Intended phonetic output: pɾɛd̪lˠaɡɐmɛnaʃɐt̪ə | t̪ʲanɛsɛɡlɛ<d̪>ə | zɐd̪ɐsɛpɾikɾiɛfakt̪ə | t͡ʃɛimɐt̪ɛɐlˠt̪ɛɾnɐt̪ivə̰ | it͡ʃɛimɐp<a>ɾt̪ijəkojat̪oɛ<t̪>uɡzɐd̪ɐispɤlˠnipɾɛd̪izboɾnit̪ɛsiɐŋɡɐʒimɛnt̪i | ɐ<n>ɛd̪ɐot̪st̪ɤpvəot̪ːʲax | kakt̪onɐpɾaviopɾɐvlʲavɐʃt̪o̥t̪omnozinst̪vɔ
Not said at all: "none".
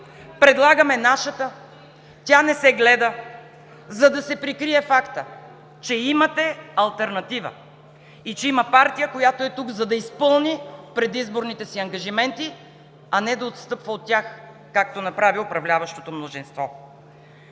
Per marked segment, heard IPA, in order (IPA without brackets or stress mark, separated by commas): d̪, a, t̪, n